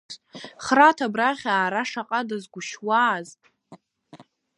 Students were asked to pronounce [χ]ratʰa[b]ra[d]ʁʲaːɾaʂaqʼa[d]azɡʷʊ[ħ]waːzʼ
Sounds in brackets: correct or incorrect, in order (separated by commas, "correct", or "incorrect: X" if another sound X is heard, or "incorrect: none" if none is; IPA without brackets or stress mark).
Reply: correct, correct, incorrect: none, correct, incorrect: ʃ